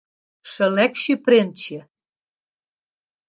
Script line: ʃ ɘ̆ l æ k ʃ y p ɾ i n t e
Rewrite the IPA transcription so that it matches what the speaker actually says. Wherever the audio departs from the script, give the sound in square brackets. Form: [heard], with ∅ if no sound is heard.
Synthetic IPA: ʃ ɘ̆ l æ k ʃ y p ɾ [e] n [t͡ɕ] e